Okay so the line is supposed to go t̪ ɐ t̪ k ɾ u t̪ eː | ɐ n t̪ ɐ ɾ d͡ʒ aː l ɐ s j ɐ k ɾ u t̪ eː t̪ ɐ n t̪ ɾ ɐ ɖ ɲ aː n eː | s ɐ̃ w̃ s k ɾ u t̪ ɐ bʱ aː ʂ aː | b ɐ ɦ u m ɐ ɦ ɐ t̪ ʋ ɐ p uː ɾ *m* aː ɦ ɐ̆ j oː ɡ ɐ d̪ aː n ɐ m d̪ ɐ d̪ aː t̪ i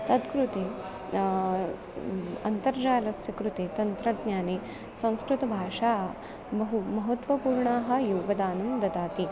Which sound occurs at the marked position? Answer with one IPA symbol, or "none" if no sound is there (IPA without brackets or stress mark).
ɳ